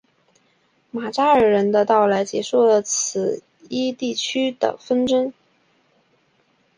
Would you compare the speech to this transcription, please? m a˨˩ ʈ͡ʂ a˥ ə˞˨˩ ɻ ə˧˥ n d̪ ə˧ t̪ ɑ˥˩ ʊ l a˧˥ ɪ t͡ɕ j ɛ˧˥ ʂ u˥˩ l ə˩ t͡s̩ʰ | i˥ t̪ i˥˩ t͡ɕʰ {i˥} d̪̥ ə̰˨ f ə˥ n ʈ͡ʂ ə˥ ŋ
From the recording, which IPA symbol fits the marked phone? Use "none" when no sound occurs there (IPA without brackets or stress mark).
y˥